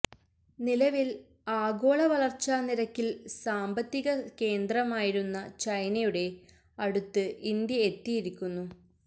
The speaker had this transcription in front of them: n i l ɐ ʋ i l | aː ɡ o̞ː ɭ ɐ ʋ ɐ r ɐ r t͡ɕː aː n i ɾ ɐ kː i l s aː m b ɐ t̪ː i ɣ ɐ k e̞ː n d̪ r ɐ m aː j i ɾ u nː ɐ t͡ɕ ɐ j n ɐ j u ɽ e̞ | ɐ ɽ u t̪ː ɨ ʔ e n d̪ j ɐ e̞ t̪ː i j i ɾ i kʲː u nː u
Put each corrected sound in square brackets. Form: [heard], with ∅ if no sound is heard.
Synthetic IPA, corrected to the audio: n i l ɐ ʋ i l | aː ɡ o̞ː ɭ ɐ ʋ ɐ [ɭ] ɐ r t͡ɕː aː n i ɾ ɐ kː i l s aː m b ɐ t̪ː i ɣ ɐ k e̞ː n d̪ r ɐ m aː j i ɾ u nː ɐ t͡ɕ ɐ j n ɐ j u ɽ e̞ | ɐ ɽ u t̪ː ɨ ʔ [i] n d̪ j ɐ e̞ t̪ː i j i ɾ i kʲː u nː u